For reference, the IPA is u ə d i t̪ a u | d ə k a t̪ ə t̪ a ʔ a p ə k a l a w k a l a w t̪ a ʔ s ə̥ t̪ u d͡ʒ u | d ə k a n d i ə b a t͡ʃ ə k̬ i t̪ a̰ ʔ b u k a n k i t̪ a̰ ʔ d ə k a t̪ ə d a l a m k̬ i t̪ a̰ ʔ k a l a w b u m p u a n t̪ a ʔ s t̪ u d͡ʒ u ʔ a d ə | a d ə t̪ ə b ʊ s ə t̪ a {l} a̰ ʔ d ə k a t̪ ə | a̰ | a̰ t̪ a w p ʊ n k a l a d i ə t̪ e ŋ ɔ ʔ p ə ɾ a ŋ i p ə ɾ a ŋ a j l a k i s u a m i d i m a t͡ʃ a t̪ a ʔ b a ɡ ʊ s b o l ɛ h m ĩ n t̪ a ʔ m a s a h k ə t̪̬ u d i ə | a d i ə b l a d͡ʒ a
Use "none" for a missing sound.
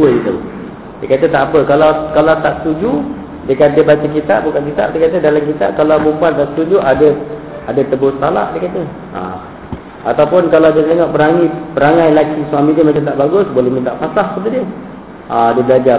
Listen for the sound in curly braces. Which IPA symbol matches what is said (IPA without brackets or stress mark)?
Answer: l